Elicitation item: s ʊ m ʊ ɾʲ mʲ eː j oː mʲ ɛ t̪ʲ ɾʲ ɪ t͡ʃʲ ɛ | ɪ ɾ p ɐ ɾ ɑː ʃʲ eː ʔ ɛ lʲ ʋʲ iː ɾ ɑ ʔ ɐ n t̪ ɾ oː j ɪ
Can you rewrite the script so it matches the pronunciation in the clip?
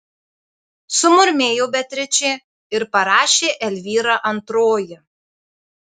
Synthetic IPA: s ʊ m ʊ ɾʲ mʲ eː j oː bʲ ɛ t̪ʲ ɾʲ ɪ t͡ʃʲ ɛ | ɪ ɾ p ɐ ɾ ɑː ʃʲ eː ʔ ɛ lʲ ʋʲ iː ɾ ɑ ʔ ɐ n t̪ ɾ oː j ɪ

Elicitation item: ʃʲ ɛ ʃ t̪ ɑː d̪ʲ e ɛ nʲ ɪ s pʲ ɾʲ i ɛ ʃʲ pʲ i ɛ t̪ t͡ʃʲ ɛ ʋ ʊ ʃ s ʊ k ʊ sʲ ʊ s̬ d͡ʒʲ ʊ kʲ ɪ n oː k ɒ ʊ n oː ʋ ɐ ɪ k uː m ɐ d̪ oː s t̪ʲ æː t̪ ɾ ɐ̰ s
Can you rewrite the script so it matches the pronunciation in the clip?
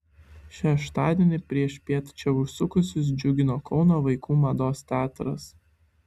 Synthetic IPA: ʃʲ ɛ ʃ t̪ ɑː d̪ʲ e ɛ nʲ ɪ pʲ ɾʲ i ɛ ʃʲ pʲ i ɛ t̪ t͡ʃʲ ɛ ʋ ʊ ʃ s ʊ k ʊ sʲ ʊ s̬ d͡ʒʲ ʊ ɡʲ ɪ n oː k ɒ ʊ n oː ʋ ɐ ɪ k uː m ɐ d̪ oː s t̪ʲ æː t̪ ɾ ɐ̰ s

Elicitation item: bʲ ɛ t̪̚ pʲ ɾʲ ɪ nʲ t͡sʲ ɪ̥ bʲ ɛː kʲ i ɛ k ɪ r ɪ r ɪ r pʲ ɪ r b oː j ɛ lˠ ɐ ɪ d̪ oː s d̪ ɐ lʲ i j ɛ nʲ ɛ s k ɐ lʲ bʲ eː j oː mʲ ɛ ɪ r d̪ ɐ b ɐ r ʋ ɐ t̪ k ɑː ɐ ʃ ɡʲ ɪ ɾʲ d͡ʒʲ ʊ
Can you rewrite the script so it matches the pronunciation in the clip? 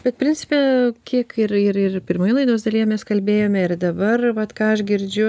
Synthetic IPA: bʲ ɛ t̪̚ pʲ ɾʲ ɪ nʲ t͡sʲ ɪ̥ pʲ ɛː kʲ i ɛ k ɪ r ɪ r ɪ r pʲ ɪ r m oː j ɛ lˠ ɐ ɪ d̪ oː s d̪ ɐ lʲ i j ɛ mʲ ɛ s k ɐ lʲ bʲ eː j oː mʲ ɛ ɪ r d̪ ɐ b ɐ r ʋ ɐ t̪ k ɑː ɐ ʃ ɡʲ ɪ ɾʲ d͡ʒʲ ʊ

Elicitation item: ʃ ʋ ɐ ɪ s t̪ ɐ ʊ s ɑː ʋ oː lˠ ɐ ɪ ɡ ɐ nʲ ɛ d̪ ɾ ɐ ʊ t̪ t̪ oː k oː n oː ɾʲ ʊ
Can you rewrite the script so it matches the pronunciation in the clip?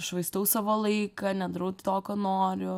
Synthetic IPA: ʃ ʋ ɐ ɪ s t̪ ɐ ʊ s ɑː ʋ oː lˠ ɐ ɪ k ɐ nʲ ɛ d̪ ɾ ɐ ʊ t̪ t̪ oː k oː n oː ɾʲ ʊ

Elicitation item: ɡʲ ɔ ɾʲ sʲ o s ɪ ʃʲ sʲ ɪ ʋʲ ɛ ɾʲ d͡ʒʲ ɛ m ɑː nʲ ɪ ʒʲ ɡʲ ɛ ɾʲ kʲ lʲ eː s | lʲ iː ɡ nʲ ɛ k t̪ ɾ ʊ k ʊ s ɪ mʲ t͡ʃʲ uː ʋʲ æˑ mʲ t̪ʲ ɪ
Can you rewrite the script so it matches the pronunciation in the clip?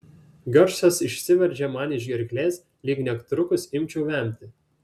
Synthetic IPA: ɡʲ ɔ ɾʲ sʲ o s ɪ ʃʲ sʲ ɪ ʋʲ ɛ ɾʲ d͡ʒʲ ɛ m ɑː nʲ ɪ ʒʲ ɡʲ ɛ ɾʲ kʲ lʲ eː s | lʲ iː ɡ nʲ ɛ k t̪ ɾ ʊ k ʊ s ɪ mʲ t͡ʃʲ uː ʋʲ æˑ mʲ t̪ʲ ɪ

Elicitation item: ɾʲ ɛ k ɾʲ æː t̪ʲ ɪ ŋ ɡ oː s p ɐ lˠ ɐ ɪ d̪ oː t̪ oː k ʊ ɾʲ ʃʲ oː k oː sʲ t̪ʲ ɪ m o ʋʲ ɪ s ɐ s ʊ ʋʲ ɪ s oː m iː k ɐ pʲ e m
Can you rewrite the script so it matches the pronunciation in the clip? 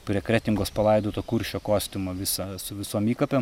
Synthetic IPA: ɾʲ ɛ k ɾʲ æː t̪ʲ ɪ ŋ ɡ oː s p ɐ lˠ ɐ ɪ d̪ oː t̪ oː k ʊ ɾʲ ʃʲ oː k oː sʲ t̪ʲ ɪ m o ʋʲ ɪ s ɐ s ʊ ʋʲ ɪ s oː m iː k ɐ pʲ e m

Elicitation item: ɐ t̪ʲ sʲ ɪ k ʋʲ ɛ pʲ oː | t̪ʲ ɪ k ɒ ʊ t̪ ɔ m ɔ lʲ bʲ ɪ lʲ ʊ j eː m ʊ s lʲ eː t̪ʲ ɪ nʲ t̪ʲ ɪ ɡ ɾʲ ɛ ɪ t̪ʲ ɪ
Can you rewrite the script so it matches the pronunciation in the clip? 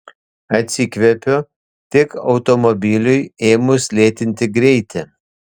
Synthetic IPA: ɐ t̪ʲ sʲ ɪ k ʋʲ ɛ pʲ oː | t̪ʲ ɪ k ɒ ʊ t̪ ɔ m ɔ bʲ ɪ lʲ ʊ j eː m ʊ s lʲ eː t̪ʲ ɪ nʲ t̪ʲ ɪ ɡ ɾʲ ɛ ɪ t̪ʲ ɪ

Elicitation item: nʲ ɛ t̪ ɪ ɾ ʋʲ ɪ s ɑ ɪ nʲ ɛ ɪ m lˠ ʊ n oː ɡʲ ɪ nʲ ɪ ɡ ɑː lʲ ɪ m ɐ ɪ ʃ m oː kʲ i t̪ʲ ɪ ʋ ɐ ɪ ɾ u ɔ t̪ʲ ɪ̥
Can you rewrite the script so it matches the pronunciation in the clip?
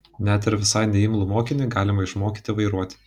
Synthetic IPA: nʲ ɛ t̪ ɪ ɾ ʋʲ ɪ s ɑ ɪ nʲ ɛ ɪ m lˠ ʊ m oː kʲ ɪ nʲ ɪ ɡ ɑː lʲ ɪ m ɐ ɪ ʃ m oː kʲ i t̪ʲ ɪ ʋ ɐ ɪ ɾ u ɔ t̪ʲ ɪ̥

